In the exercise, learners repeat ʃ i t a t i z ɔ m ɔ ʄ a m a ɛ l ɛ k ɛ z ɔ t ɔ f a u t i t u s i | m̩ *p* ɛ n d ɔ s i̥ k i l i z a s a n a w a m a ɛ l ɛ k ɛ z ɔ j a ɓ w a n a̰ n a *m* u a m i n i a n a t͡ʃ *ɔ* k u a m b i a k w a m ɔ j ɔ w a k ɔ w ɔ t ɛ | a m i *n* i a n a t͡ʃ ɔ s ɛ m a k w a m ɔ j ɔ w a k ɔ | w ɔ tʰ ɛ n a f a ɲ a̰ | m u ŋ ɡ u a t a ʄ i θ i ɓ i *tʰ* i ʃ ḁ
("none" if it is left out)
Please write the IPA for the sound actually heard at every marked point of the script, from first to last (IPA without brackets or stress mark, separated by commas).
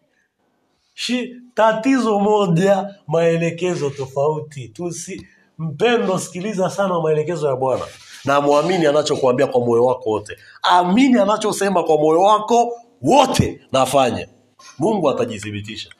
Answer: p, m, ɔ, n, t